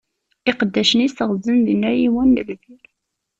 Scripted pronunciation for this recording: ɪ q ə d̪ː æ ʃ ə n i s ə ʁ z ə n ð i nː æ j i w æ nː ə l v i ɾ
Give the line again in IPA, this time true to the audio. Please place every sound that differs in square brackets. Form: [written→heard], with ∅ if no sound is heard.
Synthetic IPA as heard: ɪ q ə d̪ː æ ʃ ə n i s ə ʁ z ə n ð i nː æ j i w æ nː ə l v i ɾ